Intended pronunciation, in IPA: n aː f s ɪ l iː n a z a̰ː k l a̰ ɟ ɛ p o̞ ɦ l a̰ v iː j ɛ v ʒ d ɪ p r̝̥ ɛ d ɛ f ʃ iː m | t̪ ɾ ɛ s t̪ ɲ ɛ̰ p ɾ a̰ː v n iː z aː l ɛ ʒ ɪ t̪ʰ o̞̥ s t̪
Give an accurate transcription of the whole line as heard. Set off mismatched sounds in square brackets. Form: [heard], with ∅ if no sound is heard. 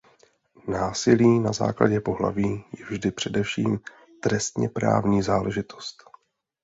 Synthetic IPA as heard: n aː [∅] s ɪ l iː n a z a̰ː k l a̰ ɟ ɛ p o̞ ɦ l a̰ v iː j ɛ v ʒ d ɪ p r̝̥ ɛ d ɛ f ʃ iː m | t̪ ɾ ɛ s t̪ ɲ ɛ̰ p ɾ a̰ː v [ɲ] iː z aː l ɛ ʒ ɪ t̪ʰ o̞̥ s t̪